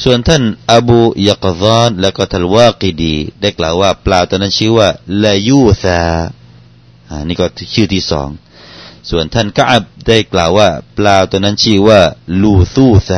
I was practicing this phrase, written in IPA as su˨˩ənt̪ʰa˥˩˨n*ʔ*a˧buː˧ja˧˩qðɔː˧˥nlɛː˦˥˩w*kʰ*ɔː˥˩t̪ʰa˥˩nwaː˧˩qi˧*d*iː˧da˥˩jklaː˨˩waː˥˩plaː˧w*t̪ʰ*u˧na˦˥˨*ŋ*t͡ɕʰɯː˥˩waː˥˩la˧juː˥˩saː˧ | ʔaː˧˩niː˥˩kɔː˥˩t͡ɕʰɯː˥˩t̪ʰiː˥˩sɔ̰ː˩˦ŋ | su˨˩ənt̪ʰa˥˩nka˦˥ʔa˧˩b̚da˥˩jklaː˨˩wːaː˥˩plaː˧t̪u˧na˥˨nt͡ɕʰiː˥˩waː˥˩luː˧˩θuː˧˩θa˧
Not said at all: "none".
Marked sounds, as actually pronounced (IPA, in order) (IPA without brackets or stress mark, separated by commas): ʔ, k, d, t̪, n